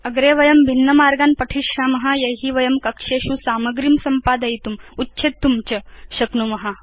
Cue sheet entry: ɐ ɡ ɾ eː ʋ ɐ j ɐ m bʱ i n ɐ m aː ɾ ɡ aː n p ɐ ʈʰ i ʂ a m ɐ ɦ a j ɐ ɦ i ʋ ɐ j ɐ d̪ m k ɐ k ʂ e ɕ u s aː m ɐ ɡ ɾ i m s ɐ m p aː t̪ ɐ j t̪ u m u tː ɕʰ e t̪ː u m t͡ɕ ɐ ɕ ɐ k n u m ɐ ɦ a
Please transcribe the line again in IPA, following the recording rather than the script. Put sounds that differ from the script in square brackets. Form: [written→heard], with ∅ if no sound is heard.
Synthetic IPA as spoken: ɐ ɡ ɾ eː ʋ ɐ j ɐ m bʱ i [n→nː] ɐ m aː ɾ ɡ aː n p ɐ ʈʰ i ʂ a m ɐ ɦ a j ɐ ɦ i ʋ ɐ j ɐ [d̪→∅] m k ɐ k ʂ e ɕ u s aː m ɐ ɡ ɾ i m s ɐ m p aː [t̪→d̪] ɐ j t̪ u m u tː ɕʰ e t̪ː u m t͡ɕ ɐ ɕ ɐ k n u m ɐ ɦ a